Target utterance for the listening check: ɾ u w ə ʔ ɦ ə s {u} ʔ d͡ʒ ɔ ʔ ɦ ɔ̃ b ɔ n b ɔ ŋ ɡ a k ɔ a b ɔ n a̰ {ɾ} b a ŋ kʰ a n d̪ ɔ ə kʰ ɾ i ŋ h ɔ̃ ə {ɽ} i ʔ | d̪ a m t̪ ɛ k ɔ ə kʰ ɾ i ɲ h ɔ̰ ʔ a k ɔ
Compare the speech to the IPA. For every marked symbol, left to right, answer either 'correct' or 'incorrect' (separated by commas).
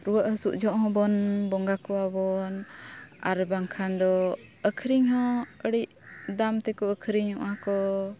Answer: correct, correct, correct